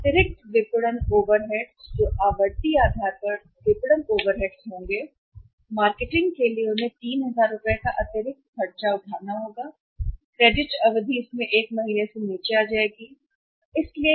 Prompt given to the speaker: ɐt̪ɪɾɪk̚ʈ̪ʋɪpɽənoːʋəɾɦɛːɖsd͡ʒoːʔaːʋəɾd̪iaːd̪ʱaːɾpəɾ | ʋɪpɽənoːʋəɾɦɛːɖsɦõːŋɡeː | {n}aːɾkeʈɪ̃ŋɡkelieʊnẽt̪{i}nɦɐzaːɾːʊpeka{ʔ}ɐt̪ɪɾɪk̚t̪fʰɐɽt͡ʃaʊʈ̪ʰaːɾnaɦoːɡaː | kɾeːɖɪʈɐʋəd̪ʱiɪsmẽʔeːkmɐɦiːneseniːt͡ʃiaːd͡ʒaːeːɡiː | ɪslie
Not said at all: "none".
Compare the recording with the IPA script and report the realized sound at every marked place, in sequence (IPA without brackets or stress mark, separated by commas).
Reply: m, iː, ʔ